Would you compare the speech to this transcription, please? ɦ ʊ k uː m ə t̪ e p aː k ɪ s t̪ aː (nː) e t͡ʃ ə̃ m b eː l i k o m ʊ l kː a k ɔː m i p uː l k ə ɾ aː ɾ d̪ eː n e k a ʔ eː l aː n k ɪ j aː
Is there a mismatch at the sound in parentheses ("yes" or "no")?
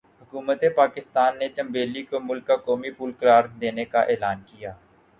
no